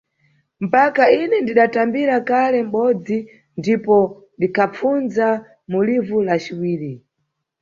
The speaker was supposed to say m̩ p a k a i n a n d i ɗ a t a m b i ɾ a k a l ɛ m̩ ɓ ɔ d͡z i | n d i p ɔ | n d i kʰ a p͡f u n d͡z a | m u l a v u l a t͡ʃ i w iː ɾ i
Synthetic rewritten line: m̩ p a k a i n ɛ n d i ɗ a t a m b i ɾ a k a l ɛ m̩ ɓ ɔ d͡z i | n d i p ɔ | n d i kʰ a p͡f u n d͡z a | m u l i v u l a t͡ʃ i w iː ɾ i

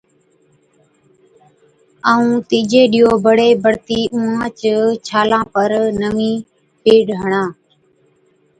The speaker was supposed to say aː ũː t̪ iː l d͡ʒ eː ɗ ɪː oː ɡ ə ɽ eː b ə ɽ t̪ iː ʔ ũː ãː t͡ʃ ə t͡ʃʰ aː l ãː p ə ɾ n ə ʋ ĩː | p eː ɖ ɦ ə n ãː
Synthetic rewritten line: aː ũː t̪ iː d͡ʒ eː ɗ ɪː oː b ə ɽ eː b ə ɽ t̪ iː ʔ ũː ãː t͡ʃ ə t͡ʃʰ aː l ãː p ə ɾ n ə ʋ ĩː | p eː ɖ ɦ ə ɳ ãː

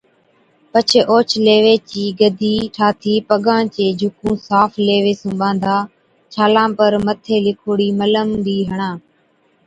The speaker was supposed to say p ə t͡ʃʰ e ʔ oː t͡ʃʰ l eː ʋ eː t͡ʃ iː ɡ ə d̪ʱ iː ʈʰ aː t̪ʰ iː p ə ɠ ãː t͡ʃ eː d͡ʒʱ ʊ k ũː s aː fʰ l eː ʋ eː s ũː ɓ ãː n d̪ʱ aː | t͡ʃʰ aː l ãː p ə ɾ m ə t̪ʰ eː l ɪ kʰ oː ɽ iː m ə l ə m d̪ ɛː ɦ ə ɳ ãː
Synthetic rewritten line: p ə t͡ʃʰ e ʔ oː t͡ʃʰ l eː ʋ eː t͡ʃ iː ɡ ə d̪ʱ iː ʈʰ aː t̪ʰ iː p ə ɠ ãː t͡ʃ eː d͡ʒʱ ʊ k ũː s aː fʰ l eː ʋ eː s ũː ɓ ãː n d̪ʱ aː | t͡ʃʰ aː l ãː p ə ɾ m ə t̪ʰ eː l ɪ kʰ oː ɽ iː m ə l ə m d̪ iː ɦ ə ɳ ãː

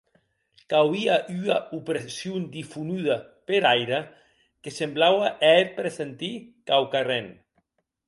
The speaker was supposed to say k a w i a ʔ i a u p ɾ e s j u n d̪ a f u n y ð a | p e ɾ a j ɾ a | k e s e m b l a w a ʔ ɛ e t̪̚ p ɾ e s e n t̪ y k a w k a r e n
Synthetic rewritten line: k a w i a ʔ y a u p ɾ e s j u n d̪ i f u n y ð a | p e ɾ a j ɾ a | k e s e m b l a w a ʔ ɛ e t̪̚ p ɾ e s e n t̪ i k a w k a r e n

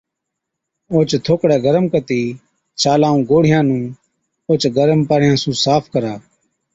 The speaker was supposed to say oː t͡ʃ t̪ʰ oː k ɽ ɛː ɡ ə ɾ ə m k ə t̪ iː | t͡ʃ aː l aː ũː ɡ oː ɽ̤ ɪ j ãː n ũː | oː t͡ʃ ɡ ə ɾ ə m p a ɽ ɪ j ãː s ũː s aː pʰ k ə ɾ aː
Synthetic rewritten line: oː t͡ʃ t̪ʰ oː k ɽ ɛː ɡ ə ɾ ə m k ə t̪ iː | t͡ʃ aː l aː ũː ɡ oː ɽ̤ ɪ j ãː n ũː | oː t͡ʃ ɡ ə ɾ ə m p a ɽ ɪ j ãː s ũː s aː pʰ k ə ɾ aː

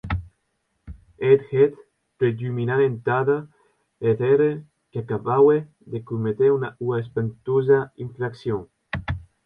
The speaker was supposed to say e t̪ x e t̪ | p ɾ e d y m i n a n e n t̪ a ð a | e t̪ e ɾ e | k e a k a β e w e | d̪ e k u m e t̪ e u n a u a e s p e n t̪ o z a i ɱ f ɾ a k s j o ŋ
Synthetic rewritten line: e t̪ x e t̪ | p ɾ e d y m i n a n e n t̪ a ð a | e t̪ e ɾ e | k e a k a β a w e | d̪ e k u m e t̪ e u n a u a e s p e n t̪ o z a i ɱ f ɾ a k s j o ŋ

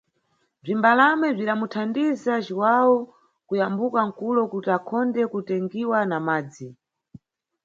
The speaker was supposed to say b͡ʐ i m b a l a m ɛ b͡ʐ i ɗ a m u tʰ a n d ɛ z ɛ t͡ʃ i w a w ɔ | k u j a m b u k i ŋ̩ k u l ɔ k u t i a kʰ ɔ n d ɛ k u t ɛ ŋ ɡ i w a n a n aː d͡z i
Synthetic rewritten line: b͡ʐ i m b a l a m ɛ b͡ʐ i ɗ a m u tʰ a n d i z a t͡ʃ i w a w ɔ | k u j a m b u k a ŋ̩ k u l ɔ k u t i a kʰ ɔ n d ɛ k u t ɛ ŋ ɡ i w a n a m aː d͡z i

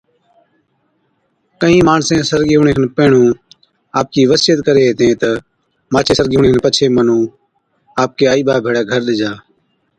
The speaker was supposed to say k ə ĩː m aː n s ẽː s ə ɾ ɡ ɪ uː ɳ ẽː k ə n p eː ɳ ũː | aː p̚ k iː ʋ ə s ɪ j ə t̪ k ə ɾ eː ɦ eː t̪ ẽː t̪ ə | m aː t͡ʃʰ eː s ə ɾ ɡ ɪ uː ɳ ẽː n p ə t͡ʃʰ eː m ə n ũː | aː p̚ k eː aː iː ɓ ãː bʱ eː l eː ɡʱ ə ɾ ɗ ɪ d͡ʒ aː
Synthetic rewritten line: k ə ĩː m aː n s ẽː s ə ɾ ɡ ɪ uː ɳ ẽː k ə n p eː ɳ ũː | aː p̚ k iː ʋ ə s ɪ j ə t̪ k ə ɾ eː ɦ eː t̪ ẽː t̪ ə | m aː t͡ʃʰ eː s ə ɾ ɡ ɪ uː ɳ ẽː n p ə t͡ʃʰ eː m ə n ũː | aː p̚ k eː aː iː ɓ aː bʱ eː ɽ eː ɡʱ ə ɾ ɗ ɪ d͡ʒ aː

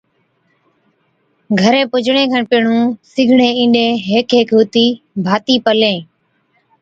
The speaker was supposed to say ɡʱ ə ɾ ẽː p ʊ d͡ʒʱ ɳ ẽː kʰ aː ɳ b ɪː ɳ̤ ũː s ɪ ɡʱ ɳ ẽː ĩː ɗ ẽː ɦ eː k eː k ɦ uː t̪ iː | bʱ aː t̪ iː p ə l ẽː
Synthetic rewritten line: ɡʱ ə ɾ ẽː p ʊ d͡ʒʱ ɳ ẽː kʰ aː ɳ p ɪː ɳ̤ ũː s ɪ ɡʱ ɳ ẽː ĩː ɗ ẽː ɦ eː k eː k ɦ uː t̪ iː | bʱ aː t̪ iː p ə l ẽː

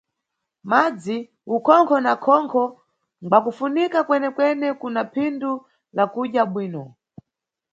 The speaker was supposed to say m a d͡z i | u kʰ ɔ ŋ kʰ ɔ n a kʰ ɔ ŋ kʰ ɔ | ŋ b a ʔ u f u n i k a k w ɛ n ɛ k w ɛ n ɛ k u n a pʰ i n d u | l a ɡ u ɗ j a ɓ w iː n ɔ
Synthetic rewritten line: m a d͡z i | u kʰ ɔ ŋ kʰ ɔ n a kʰ ɔ ŋ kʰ ɔ | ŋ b a k u f u n i k a k w ɛ n ɛ k w ɛ n ɛ k u n a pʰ i n d u | l a k u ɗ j a ɓ w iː n ɔ

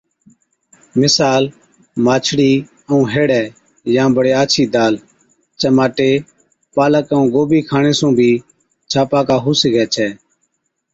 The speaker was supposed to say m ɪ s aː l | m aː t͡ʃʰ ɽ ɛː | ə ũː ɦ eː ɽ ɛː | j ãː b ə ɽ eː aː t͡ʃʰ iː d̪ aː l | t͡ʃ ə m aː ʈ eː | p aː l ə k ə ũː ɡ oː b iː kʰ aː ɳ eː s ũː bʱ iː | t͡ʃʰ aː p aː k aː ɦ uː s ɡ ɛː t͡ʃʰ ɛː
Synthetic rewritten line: m ɪ s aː l | m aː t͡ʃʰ ɽ iː | ə ũː ɦ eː ɽ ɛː | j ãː b ə ɽ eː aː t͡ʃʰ iː d̪ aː l | t͡ʃ ə m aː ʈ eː | p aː l ə k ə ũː ɡ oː b iː kʰ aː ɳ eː s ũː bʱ iː | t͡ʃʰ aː p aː k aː ɦ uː s ɡ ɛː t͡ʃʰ ɛː

